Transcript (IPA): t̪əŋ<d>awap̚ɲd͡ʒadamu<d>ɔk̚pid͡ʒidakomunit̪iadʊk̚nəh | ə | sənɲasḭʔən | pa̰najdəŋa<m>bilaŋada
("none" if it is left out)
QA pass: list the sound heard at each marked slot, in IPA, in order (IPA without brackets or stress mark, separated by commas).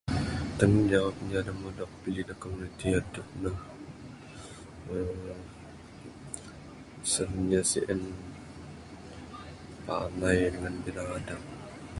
d͡ʒ, d, n